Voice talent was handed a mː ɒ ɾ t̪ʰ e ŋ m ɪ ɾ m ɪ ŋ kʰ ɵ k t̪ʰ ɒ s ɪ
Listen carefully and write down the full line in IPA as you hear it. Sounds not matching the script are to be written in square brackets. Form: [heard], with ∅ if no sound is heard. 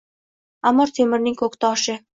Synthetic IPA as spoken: a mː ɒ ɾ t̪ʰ e [∅] m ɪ ɾ [n] ɪ ŋ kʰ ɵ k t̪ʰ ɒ [ʃ] ɪ